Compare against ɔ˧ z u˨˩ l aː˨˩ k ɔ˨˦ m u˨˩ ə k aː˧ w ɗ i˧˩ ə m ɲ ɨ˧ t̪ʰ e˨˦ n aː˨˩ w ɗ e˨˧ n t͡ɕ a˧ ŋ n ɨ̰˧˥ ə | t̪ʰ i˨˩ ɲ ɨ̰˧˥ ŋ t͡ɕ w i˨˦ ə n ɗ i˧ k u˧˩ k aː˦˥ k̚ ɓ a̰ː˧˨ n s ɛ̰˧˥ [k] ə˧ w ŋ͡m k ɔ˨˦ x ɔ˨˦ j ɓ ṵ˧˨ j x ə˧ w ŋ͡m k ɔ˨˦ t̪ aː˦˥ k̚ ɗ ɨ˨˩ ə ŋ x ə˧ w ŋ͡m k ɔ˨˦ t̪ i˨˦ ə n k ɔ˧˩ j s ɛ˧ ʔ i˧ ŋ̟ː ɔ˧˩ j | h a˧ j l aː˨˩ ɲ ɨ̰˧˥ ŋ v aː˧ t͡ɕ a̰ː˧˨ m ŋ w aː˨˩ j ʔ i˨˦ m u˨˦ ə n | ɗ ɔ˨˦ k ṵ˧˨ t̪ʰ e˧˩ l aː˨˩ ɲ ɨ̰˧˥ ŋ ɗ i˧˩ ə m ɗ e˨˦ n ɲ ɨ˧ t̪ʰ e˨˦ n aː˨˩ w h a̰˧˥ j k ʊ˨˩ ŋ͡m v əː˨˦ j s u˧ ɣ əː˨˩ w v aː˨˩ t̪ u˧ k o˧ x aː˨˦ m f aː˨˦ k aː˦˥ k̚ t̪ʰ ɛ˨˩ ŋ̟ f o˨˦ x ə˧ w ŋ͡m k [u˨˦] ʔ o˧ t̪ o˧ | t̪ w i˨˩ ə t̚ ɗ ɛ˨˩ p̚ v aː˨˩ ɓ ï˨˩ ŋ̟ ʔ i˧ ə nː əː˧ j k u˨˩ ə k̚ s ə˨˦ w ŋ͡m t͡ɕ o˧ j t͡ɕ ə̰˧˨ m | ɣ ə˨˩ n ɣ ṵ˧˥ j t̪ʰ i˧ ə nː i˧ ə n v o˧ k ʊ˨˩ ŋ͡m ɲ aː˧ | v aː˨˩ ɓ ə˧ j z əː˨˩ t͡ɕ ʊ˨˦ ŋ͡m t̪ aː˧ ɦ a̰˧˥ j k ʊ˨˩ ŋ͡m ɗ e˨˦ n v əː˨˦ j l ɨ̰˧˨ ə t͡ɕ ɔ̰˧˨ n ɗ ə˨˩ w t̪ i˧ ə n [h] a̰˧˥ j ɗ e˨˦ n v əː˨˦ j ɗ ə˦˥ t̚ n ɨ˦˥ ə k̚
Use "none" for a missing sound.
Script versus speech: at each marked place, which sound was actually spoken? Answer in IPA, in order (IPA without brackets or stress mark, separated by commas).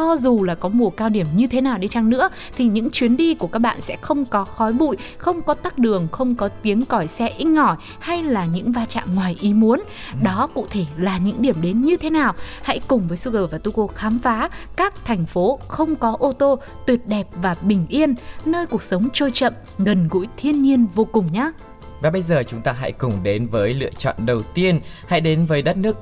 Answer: x, ɔ˨˦, h